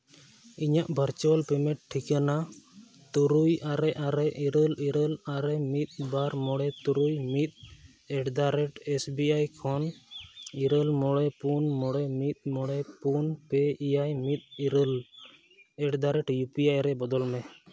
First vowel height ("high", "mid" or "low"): high